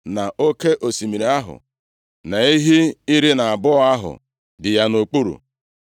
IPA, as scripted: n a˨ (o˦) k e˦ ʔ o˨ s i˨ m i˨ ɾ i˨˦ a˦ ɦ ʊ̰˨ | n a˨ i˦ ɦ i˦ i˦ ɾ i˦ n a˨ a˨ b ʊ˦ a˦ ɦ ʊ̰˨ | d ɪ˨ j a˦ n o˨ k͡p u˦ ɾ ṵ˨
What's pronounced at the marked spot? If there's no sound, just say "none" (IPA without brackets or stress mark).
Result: o˦